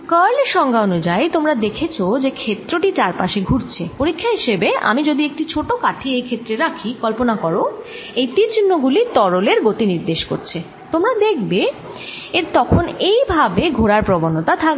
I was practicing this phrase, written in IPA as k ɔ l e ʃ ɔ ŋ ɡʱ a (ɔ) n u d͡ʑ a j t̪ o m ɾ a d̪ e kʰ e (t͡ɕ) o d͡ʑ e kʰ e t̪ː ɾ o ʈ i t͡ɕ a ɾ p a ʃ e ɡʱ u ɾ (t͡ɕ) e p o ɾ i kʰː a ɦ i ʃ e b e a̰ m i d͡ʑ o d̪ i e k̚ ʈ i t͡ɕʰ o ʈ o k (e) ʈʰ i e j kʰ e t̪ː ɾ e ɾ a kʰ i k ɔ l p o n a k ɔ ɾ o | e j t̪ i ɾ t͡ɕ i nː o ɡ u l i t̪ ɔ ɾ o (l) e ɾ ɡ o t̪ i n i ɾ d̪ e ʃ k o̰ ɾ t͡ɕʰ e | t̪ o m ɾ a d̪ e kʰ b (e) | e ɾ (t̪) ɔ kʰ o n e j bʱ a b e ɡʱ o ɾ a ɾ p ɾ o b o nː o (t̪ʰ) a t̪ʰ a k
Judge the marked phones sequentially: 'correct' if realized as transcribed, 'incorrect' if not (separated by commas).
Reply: incorrect, incorrect, incorrect, incorrect, correct, correct, correct, incorrect